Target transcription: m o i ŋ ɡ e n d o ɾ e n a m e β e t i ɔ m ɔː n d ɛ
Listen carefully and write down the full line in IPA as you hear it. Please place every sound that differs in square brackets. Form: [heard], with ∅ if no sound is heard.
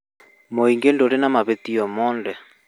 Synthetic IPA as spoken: m o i ŋ ɡ e n d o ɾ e n a m [a] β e t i ɔ m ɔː n d ɛ